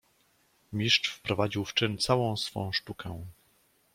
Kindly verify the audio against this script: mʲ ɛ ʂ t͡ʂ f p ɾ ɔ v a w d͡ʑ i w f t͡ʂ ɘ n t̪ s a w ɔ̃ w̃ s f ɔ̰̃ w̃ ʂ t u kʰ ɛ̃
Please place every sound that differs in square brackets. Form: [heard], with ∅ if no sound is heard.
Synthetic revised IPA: mʲ [i] ʂ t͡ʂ f p ɾ ɔ v a [∅] d͡ʑ i w f t͡ʂ ɘ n t̪ s a w ɔ̃ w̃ s f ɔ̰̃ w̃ ʂ t u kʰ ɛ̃